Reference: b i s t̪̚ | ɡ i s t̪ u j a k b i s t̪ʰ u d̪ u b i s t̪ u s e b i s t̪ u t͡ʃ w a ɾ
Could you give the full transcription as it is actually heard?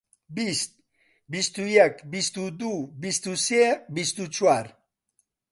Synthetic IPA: b i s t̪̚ | b i s t̪ u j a k b i s t̪ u d̪ u b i s t̪ u s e b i s t̪ u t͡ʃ w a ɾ